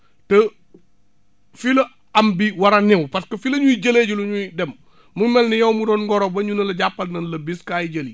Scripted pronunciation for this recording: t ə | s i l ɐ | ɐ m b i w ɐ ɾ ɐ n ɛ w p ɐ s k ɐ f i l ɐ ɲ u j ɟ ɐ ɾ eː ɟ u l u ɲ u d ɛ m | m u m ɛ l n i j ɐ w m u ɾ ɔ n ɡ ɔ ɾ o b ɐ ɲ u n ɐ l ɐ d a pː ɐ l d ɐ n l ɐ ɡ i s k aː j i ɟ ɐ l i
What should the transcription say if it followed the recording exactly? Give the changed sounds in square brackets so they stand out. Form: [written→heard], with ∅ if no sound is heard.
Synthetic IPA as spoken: t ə | [s→f] i l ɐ | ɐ m b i w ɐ ɾ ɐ n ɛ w p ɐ s k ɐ f i l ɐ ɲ u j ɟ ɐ [ɾ→l] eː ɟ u l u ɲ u d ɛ m | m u m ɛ l n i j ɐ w m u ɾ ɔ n ɡ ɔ ɾ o b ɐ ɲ u n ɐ l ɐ [d→ɟ] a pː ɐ l [d→n] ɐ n l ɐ [ɡ→b] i s k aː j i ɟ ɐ l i